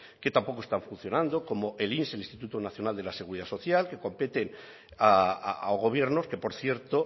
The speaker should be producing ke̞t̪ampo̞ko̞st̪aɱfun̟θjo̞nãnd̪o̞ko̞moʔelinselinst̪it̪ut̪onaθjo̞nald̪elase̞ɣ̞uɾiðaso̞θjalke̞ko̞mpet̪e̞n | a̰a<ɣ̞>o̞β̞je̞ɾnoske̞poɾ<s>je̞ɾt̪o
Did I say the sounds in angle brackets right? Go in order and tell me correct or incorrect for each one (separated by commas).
correct, incorrect